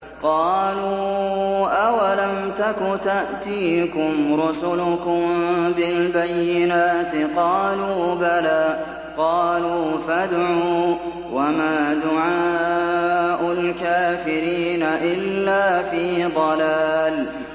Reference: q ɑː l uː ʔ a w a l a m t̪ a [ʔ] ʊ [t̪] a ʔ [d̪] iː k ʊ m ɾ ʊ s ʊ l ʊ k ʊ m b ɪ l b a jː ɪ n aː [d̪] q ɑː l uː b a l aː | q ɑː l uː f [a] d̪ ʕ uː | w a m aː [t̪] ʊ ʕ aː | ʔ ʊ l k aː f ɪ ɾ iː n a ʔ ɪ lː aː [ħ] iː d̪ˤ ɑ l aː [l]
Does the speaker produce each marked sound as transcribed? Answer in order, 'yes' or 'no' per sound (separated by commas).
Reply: no, yes, no, no, yes, no, no, yes